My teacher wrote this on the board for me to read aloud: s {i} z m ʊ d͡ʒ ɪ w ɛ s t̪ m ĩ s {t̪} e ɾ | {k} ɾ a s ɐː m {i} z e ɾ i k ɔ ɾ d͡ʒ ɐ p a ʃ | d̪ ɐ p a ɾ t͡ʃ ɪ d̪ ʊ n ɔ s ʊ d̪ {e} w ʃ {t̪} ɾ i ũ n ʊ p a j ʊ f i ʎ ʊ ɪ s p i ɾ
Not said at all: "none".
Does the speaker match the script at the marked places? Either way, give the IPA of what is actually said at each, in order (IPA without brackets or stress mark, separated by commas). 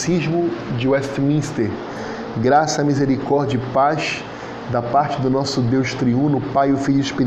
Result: i, t̪, ɡ, i, e, t̪